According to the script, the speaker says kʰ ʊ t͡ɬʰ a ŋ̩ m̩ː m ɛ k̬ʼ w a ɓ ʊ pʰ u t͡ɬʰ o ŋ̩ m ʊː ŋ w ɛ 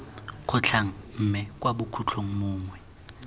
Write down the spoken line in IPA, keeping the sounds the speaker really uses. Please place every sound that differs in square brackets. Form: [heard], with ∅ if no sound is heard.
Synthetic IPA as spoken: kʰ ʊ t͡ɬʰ a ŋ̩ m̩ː m ɛ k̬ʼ w a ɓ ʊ [kʰ] u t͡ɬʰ o ŋ̩ m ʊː ŋ w ɛ

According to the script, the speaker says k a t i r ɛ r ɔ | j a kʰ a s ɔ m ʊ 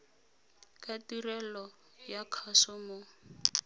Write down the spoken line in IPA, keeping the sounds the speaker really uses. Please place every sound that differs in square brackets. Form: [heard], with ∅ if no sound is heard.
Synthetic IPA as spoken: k a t i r ɛ [l] ɔ | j a kʰ a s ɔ m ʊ

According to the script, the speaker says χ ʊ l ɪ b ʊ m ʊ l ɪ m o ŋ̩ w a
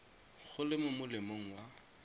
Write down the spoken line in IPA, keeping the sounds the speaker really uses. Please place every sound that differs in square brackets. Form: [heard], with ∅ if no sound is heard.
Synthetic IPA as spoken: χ ʊ l ɪ [m] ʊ m ʊ l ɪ m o ŋ̩ w a

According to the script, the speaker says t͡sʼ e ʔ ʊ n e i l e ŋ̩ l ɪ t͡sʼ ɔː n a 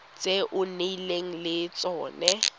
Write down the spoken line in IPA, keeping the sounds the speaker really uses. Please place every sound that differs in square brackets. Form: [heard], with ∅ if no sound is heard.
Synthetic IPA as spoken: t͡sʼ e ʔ ʊ n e i l e ŋ̩ l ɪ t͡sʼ ɔː n [ɛ]

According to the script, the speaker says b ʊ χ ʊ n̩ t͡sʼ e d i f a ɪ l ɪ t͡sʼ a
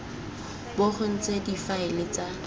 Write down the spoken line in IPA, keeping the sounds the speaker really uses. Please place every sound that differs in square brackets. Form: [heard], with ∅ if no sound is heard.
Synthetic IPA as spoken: b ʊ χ ʊ n̩ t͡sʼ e d i f a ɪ l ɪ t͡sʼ a

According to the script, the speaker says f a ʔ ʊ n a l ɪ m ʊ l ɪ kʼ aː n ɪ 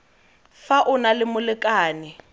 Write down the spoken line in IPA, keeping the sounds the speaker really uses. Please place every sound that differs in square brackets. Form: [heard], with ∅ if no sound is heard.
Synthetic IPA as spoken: f a ʔ ʊ n a l ɪ m ʊ l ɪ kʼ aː n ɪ

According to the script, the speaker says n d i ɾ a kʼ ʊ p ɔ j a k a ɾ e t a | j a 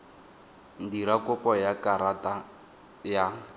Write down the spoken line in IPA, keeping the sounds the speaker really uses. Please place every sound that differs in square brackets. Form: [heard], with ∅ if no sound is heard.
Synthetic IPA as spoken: n d i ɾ a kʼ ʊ p ɔ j a k a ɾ [a] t a | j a

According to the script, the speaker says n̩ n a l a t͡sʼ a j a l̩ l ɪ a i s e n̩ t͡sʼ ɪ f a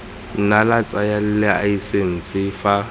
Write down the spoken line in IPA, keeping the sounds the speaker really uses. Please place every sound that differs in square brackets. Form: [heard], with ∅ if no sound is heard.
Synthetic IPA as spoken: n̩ n a l a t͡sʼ a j a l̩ l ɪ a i s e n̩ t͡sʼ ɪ f a

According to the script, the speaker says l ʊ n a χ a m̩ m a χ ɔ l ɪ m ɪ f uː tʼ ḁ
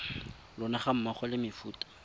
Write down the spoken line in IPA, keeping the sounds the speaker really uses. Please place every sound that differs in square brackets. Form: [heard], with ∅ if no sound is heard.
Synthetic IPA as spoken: l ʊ n a χ a m̩ m a χ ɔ l ɪ m ɪ f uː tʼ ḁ

